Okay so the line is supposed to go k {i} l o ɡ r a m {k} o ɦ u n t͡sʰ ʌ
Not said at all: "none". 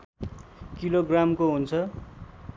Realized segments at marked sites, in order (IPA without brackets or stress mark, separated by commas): i, k